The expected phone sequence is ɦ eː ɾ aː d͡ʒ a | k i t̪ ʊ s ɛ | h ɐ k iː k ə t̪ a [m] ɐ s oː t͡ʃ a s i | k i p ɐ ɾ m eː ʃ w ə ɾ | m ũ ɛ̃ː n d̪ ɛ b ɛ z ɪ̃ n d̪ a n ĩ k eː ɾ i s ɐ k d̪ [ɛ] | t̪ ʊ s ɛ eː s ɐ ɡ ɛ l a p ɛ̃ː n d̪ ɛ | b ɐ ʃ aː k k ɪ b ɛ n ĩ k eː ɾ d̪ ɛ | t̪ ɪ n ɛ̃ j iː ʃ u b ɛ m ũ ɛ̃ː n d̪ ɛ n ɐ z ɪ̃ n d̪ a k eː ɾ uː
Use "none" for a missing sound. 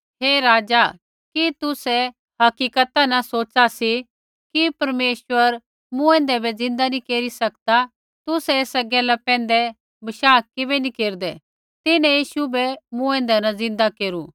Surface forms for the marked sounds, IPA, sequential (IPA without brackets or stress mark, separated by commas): n, a